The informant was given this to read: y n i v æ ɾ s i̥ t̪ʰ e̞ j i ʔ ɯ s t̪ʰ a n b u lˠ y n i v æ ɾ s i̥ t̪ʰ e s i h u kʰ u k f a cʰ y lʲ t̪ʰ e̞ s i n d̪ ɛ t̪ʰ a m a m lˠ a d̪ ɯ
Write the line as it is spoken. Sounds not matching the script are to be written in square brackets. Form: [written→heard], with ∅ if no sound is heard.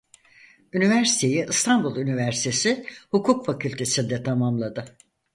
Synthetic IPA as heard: y n i v æ ɾ s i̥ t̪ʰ e̞ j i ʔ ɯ s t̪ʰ a n b u lˠ y n i v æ ɾ s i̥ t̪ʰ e s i h u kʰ u k f a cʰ y lʲ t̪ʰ e̞ s i n d̪ ɛ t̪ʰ a m a m lˠ a d̪ ɯ